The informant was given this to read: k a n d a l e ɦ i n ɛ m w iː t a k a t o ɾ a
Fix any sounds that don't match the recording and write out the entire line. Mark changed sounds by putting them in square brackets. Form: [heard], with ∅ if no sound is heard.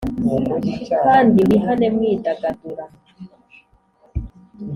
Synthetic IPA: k a n d [i] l [i] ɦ [a] n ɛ m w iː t a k a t [u] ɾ a